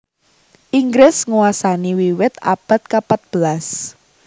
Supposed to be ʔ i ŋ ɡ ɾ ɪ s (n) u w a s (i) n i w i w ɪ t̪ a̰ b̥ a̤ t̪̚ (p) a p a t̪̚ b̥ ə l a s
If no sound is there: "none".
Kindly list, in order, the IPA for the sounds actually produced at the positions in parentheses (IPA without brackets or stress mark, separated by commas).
ŋ, a, k